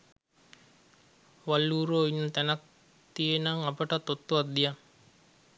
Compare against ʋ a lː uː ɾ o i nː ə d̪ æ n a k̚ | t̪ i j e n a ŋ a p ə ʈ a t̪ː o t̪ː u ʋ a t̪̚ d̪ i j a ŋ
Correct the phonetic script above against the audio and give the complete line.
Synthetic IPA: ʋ a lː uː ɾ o i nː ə t̪ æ n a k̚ | t̪ i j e n a ŋ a p ə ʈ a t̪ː o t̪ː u ʋ a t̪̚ d̪ i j a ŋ